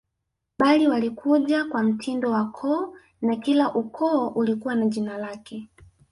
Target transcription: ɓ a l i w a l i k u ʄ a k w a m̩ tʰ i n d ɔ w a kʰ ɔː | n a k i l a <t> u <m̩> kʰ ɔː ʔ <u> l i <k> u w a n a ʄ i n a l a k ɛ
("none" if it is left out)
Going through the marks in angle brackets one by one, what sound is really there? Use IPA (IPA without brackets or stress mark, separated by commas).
ʔ, none, u, k